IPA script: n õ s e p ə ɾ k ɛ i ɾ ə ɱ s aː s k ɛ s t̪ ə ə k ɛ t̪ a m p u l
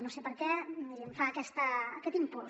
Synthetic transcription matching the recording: n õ s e p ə ɾ k ɛ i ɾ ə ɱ f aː k ɛ s t̪ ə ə k ɛ t̪ i m p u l